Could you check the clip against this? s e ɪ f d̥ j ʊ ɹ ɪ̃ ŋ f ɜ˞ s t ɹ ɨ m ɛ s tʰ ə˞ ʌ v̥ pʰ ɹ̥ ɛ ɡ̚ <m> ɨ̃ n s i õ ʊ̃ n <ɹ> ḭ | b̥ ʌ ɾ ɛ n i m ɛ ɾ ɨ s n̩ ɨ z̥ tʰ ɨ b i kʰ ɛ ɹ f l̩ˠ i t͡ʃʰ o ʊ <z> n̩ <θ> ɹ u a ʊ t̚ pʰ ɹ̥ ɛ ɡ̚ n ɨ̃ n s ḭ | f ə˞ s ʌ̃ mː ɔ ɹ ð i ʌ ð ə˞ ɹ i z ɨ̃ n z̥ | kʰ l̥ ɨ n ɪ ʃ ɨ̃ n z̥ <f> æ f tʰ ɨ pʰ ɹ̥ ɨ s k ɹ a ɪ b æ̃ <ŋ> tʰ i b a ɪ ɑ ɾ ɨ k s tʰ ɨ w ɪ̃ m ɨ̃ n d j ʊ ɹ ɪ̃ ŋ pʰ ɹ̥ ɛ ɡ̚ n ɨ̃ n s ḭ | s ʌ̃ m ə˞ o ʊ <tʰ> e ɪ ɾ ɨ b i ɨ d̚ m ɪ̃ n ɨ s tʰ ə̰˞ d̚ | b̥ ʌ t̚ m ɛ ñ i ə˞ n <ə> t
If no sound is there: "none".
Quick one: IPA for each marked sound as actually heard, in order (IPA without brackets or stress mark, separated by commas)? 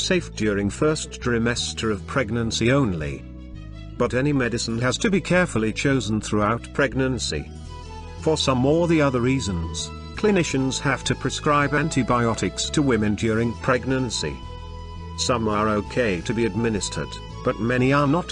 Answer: n, l, z, θ, h, n, kʰ, ə